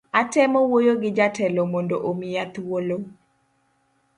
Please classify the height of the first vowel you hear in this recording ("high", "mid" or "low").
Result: low